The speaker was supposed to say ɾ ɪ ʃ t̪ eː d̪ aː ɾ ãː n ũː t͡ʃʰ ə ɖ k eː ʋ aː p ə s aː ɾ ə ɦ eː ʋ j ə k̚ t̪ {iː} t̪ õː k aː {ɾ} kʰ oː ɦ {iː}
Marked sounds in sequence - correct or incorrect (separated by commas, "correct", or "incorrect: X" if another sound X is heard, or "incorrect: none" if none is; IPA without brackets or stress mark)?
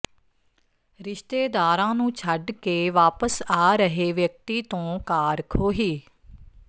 correct, correct, correct